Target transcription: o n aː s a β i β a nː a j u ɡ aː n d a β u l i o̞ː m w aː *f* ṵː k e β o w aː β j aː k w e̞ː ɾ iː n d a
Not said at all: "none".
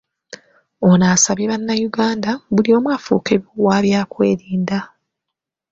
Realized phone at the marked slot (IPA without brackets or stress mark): f